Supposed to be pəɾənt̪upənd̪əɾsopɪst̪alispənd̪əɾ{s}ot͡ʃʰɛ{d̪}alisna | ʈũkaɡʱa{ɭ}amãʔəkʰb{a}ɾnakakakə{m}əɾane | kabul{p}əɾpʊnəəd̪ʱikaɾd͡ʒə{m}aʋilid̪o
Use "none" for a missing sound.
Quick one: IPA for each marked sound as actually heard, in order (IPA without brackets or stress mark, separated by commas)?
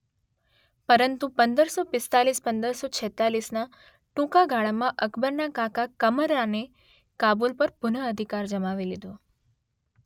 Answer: s, t̪, ɭ, ə, m, p, m